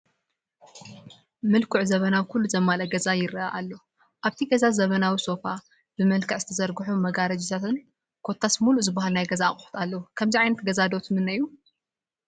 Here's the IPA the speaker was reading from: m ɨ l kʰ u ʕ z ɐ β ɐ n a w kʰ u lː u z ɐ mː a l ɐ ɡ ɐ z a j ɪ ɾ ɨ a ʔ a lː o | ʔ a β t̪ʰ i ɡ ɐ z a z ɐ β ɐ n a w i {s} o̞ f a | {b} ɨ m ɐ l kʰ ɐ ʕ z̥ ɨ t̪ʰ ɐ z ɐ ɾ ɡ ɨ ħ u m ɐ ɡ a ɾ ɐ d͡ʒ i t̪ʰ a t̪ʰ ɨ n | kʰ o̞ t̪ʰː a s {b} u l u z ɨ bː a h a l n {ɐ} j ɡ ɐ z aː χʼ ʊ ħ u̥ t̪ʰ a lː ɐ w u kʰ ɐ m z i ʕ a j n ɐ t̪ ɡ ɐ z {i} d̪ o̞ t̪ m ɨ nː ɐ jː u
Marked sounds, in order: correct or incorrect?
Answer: correct, correct, incorrect, incorrect, incorrect

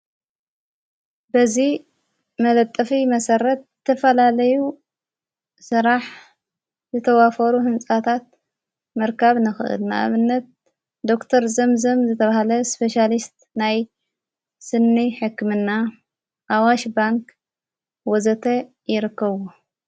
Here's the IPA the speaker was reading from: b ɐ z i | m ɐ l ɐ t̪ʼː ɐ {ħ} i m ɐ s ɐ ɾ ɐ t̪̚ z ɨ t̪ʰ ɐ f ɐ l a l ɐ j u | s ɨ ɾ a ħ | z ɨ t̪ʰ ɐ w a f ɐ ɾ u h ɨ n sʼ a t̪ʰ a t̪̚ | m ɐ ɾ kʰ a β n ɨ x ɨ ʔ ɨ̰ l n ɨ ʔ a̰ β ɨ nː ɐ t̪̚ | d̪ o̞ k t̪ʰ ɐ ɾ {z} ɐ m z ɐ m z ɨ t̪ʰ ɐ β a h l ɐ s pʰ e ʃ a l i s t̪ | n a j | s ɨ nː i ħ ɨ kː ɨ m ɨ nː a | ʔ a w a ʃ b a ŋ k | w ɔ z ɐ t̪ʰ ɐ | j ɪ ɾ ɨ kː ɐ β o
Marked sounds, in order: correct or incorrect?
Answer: incorrect, correct

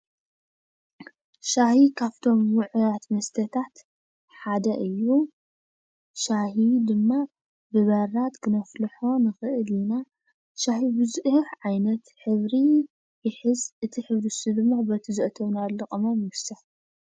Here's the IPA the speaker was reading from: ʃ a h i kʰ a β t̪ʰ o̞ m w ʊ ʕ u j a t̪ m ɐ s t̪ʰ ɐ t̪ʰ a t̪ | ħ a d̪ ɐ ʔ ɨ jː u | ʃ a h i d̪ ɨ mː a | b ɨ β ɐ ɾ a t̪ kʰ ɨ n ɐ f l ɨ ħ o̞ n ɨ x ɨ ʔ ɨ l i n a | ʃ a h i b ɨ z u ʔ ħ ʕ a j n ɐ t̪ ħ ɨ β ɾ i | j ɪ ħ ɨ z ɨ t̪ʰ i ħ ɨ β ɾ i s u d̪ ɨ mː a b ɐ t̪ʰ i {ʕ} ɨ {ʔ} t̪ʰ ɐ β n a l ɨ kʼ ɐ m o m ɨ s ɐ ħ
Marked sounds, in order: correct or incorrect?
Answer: incorrect, correct

